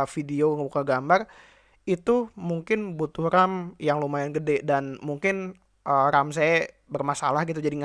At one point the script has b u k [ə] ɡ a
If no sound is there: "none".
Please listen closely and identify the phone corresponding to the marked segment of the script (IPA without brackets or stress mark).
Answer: a